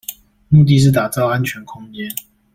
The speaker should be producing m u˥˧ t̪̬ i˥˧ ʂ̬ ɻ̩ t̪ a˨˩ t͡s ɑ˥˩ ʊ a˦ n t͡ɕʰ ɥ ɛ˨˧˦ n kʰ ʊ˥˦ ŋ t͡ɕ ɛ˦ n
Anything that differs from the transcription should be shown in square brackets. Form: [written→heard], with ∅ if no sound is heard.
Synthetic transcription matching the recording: m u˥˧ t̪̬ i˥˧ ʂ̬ ɻ̩ t̪ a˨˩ t͡s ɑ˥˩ ʊ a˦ n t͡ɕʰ ɥ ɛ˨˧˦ n kʰ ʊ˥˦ ŋ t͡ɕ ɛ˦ n

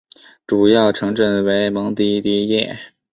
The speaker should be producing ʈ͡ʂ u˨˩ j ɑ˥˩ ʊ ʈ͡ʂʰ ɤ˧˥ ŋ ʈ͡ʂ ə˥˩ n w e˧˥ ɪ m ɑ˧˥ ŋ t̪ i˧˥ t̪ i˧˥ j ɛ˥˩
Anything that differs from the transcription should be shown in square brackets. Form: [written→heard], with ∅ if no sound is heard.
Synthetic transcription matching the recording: ʈ͡ʂ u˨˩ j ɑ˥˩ ʊ ʈ͡ʂʰ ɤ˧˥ ŋ ʈ͡ʂ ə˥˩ n w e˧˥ ɪ m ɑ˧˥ ŋ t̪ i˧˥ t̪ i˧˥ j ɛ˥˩

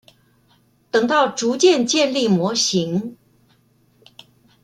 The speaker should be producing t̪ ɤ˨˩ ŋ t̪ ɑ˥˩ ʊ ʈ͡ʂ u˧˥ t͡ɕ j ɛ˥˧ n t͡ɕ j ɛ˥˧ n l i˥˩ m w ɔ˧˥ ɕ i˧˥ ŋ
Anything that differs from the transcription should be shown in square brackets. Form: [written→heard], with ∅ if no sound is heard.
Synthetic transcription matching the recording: t̪ ɤ˨˩ ŋ t̪ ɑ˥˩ ʊ ʈ͡ʂ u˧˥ t͡ɕ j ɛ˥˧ n t͡ɕ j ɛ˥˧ n l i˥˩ m w ɔ˧˥ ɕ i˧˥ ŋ

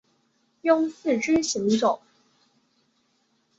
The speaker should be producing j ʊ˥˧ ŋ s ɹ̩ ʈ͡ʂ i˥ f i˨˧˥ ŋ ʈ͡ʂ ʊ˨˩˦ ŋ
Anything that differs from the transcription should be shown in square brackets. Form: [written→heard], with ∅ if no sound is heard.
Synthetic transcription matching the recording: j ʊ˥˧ ŋ s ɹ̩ ʈ͡ʂ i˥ [f→ɕ] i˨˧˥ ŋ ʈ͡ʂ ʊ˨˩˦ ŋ

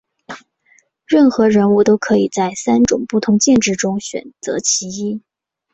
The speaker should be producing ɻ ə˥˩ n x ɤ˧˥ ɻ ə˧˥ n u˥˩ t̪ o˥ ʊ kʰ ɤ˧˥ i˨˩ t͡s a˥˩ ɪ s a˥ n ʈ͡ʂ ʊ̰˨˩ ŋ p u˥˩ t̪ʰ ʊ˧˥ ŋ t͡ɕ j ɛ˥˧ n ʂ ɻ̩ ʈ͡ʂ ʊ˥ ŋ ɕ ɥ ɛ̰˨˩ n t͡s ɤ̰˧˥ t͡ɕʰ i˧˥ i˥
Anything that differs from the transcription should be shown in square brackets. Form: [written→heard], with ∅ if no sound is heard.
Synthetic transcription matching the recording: ɻ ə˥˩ n x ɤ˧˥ ɻ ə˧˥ n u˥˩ t̪ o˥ ʊ kʰ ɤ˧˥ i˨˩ t͡s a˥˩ ɪ s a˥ n ʈ͡ʂ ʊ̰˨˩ ŋ p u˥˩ t̪ʰ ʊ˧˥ ŋ t͡ɕ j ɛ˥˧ n [ʂ→ʈ͡ʂ] ɻ̩ ʈ͡ʂ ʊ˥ ŋ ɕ ɥ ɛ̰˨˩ n t͡s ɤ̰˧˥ t͡ɕʰ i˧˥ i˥

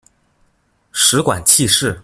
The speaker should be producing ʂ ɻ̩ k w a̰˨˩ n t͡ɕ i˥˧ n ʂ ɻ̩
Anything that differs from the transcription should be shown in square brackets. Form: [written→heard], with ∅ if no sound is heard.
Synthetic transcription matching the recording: ʂ ɻ̩ k w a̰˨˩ n [t͡ɕ→t͡ɕʰ] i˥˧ [n→∅] ʂ ɻ̩

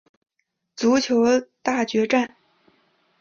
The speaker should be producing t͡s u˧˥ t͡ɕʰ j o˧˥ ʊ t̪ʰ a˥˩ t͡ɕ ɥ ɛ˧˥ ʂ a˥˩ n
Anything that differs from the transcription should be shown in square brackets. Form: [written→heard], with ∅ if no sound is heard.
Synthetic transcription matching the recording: t͡s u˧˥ t͡ɕʰ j o˧˥ ʊ [t̪ʰ→t̪] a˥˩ t͡ɕ ɥ ɛ˧˥ [ʂ→ʈ͡ʂ] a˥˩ n

